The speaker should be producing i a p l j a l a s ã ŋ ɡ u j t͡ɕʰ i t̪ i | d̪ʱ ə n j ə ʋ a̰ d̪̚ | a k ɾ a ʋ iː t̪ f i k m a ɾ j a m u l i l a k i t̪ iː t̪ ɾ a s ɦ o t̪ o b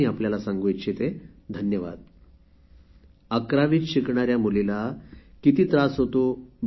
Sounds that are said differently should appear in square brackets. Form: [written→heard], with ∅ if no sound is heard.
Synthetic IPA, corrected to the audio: i a p l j a l a s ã ŋ ɡ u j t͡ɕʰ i t̪ [i→e] | d̪ʱ ə n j ə ʋ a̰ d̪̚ | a k ɾ a ʋ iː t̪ [f→ɕ] i k [m→ɳ] a ɾ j a m u l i l a k i t̪ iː t̪ ɾ a s ɦ o t̪ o b

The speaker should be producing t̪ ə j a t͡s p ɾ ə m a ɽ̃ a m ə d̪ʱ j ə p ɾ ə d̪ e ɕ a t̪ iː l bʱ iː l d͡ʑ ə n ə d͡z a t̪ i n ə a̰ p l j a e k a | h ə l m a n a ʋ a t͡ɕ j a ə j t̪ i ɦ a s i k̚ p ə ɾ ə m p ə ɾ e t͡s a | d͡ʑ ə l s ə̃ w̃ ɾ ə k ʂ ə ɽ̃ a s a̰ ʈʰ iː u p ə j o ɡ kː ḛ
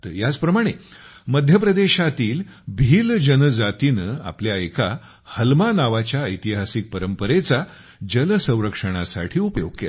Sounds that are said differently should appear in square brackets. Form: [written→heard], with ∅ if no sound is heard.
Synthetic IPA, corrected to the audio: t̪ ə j a t͡s p ɾ ə m a ɽ̃ [a→e] m ə d̪ʱ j ə p ɾ ə d̪ e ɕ a t̪ iː l bʱ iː l d͡ʑ ə n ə d͡z a t̪ i n ə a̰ p l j a e k a | h ə l m a n a ʋ a t͡ɕ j a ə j t̪ i ɦ a s i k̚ p ə ɾ ə m p ə ɾ e t͡s a | d͡ʑ ə l s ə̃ w̃ ɾ ə k ʂ ə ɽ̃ a s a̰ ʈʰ iː u p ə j o ɡ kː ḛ

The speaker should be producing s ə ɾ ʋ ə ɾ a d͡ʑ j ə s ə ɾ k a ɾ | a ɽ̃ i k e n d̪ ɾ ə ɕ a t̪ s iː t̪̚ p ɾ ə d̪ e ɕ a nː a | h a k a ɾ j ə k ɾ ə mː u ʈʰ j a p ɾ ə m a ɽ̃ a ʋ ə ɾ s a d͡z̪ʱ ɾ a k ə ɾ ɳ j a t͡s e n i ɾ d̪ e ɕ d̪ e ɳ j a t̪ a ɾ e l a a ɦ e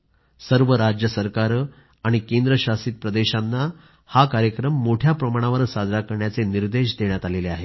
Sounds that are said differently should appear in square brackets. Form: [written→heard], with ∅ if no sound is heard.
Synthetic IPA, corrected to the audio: s ə ɾ ʋ ə ɾ a d͡ʑ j ə s ə ɾ k a ɾ | a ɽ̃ i k e n d̪ ɾ ə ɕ a [t̪→∅] s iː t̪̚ p ɾ ə d̪ e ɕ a nː a | h a k a ɾ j ə k ɾ ə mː [u→o] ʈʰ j a p ɾ ə m a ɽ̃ a ʋ ə ɾ s a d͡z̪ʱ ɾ a k ə ɾ ɳ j a t͡s e n i ɾ d̪ e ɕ d̪ e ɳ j a t̪ a [ɾ→l] e l [a→e] a ɦ e

